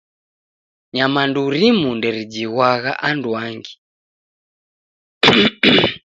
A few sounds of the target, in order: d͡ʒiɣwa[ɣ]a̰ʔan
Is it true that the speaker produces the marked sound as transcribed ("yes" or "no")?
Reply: yes